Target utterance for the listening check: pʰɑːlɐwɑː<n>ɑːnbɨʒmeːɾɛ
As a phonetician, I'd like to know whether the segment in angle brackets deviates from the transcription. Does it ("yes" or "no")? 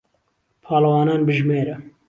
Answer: no